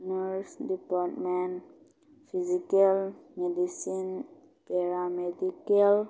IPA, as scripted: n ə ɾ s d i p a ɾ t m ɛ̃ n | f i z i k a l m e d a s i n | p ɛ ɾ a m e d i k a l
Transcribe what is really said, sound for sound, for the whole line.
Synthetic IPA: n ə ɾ s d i p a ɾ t m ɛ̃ n | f i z i k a l m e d i s i n | p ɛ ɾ a m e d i k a l

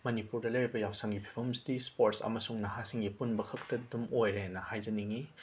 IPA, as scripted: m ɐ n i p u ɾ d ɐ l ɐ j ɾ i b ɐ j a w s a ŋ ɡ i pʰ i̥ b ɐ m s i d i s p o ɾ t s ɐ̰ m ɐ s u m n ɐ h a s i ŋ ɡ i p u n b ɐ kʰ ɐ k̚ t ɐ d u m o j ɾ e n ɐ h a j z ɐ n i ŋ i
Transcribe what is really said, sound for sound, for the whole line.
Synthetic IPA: m ɐ n i p u ɾ d ɐ l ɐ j ɾ i b ɐ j a w s a ŋ ɡ i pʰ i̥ b ɐ m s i d i s p o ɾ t s ɐ̰ m ɐ s u ŋ n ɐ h a s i ŋ ɡ i p u n b ɐ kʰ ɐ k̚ t ɐ d u m o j ɾ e n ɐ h a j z ɐ n i ŋ i

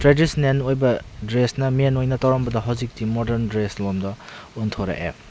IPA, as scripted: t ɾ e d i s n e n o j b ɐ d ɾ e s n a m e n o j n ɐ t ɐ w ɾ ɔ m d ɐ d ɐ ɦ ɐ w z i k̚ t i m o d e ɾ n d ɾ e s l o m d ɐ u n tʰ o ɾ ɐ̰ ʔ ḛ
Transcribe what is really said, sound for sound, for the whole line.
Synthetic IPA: t ɾ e d i s n e n o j b ɐ d ɾ e s n ɐ m e n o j n ɐ t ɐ w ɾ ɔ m b ɐ d ɐ ɦ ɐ w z i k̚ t i m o d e ɾ n d ɾ e s l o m d ɐ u n tʰ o ɾ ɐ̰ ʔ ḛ

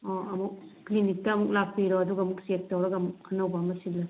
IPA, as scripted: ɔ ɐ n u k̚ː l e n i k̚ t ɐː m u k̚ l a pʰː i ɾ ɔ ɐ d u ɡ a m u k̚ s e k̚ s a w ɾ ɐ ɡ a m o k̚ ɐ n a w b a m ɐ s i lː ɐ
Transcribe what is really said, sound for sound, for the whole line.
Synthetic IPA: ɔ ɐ m u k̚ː l i n i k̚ t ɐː m u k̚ l a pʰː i ɾ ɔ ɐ d u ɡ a m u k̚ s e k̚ t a w ɾ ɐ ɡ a m u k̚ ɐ n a w b a m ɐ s i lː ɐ

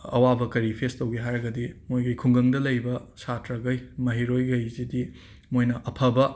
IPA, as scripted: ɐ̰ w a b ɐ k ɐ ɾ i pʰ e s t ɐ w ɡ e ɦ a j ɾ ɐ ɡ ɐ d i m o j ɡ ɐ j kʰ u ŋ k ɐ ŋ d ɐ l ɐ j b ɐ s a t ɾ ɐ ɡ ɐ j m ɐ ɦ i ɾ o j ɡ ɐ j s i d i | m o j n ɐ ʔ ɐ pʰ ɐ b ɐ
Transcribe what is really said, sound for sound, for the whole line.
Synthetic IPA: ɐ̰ w a b ɐ k ɐ ɾ i pʰ e s t ɐ w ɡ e ɦ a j ɾ ɐ ɡ ɐ d i m o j ɡ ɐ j kʰ u ŋ ɡ ɐ ŋ d ɐ l ɐ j b ɐ s a t ɾ ɐ ɡ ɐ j m ɐ ɦ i ɾ o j ɡ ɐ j z i d i | m o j n ɐ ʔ ɐ pʰ ɐ b ɐ

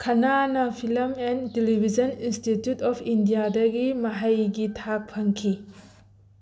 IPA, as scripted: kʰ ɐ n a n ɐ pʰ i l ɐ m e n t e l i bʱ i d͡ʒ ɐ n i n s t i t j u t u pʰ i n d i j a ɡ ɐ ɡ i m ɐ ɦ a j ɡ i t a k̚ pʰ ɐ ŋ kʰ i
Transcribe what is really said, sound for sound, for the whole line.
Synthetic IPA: kʰ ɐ n a n ɐ pʰ i l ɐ m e n t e l i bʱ i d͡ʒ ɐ n i n s t i t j u t ɔ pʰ i n d i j a d ɐ ɡ i m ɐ ɦ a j ɡ i tʰ a k̚ pʰ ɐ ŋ kʰ i

